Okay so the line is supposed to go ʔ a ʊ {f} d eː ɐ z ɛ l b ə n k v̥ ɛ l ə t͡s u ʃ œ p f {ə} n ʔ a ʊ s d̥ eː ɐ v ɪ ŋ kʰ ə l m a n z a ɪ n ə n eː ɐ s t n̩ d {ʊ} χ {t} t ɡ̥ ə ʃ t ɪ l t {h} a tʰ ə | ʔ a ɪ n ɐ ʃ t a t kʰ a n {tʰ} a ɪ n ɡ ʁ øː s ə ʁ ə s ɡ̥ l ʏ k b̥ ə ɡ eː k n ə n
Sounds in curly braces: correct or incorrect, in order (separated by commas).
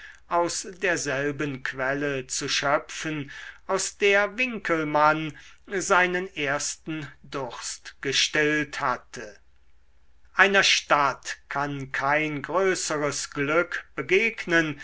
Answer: incorrect, correct, correct, incorrect, correct, incorrect